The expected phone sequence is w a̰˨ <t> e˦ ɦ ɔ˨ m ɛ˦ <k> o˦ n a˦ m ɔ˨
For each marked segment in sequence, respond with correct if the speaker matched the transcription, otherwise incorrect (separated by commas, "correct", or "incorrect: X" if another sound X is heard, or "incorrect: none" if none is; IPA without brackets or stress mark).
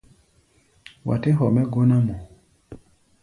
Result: correct, incorrect: ɡ